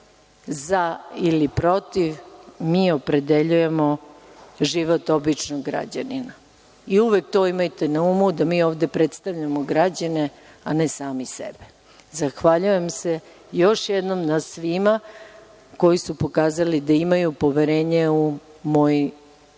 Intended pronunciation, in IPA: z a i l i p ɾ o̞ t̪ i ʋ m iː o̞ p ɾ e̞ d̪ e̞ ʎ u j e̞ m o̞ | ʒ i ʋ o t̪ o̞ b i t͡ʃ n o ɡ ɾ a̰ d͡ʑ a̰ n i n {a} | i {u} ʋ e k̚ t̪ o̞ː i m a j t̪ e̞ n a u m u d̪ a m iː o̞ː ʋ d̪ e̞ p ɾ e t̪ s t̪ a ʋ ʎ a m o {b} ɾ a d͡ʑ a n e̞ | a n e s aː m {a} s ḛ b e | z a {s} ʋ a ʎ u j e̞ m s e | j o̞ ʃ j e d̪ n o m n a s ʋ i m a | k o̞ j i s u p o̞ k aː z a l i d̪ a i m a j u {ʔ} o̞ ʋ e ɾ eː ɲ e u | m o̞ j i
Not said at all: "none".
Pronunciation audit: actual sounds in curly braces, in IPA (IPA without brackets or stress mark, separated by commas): a, u, ɡ, i, x, p